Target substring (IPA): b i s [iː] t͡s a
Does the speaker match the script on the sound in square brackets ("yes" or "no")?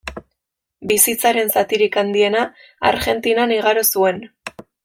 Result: no